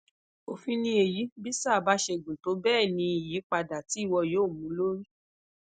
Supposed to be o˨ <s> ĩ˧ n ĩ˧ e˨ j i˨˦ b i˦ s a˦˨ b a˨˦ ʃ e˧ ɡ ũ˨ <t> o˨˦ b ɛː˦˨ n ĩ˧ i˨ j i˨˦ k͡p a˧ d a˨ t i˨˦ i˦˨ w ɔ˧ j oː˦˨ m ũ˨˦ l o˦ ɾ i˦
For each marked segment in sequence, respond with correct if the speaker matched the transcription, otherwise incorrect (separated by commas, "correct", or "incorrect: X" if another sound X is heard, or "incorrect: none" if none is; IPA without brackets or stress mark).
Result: incorrect: f, correct